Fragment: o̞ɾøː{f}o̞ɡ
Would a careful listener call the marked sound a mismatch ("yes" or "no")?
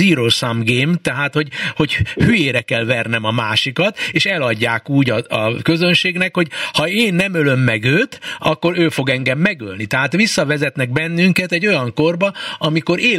no